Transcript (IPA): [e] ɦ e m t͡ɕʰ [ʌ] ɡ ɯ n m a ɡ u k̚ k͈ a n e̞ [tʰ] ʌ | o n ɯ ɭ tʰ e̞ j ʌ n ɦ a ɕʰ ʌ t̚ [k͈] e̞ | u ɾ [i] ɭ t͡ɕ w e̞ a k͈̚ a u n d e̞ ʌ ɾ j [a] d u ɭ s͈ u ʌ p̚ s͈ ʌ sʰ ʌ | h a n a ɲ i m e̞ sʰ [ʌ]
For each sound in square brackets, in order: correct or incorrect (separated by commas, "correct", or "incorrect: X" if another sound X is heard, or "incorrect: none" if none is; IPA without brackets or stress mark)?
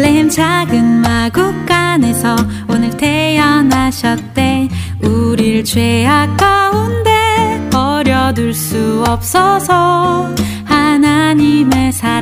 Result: correct, incorrect: a, incorrect: sʰ, incorrect: t͈, correct, incorrect: ʌ, incorrect: a